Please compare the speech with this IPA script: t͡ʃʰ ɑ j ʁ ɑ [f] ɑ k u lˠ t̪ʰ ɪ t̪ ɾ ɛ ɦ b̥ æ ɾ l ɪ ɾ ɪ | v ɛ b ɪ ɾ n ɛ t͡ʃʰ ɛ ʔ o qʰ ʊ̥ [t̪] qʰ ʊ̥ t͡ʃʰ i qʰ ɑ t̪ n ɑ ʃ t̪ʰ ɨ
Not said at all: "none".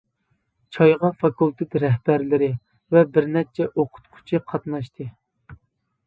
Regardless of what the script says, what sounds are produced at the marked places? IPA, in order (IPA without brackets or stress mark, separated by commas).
f, t̪